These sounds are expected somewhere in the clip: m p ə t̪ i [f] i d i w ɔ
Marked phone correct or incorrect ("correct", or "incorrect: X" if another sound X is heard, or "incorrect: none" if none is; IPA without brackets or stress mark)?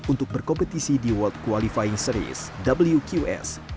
incorrect: s